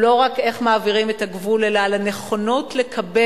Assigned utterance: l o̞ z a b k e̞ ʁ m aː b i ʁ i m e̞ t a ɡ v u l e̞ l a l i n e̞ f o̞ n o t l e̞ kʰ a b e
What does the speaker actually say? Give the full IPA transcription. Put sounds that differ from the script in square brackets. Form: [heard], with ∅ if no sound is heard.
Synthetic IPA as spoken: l o̞ [ʁ] a [∅] k e̞ [χ] m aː [v] i ʁ i m e̞ t a ɡ v u l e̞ l a l [a] n e̞ [χ] o̞ n o t l e̞ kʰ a b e